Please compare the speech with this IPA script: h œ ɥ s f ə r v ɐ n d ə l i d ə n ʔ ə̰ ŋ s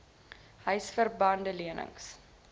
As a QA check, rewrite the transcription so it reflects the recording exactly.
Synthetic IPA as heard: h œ ɥ s f ə r b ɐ n d ə l i ə n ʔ ə̰ ŋ s

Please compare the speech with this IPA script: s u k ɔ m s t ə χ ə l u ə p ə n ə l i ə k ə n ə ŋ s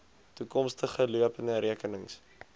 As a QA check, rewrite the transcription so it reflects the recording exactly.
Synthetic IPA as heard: t u k ɔ m s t ə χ ə l u ə p ə n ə ɾ i ə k ə n ə ŋ s

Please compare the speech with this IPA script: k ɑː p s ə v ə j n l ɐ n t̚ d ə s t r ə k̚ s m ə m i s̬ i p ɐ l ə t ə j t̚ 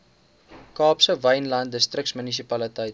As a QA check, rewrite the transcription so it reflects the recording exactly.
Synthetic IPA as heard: k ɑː p s ə v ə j n l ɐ n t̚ d ə s t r ə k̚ s m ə n i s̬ i p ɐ l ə t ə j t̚

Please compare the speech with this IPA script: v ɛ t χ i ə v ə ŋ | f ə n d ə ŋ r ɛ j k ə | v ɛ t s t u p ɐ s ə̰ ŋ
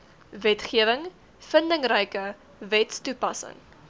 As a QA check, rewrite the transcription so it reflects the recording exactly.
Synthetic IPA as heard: v ɛ t χ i ə v ə ŋ | f ə n d ə ŋ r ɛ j k ə | v ɛ t s t u p ɐ s ə̰ ŋ

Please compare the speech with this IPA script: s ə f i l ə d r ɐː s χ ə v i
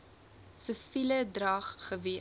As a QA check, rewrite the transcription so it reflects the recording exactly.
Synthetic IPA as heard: s ə f i l ə d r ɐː χ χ ə v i

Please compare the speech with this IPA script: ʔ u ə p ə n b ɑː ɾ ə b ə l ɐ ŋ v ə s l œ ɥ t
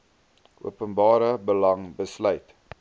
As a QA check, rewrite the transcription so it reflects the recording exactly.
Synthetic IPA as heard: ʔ u ə p ə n b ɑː ɾ ə b ə l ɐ ŋ b ə s l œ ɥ t

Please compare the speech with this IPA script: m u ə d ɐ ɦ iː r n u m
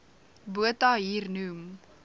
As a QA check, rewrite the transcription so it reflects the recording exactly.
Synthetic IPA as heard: b u ə t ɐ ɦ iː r n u m

